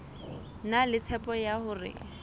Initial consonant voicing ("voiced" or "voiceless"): voiced